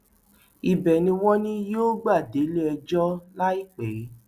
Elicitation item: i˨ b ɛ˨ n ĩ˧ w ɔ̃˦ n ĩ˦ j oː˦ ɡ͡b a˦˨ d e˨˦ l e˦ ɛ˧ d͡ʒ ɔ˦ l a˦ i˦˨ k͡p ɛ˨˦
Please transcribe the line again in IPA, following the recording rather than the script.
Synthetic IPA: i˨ b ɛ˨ n ĩ˧ w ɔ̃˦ n ĩ˦ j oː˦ ɡ͡b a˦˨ d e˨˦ l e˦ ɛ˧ d͡ʒ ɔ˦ l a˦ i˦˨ k͡p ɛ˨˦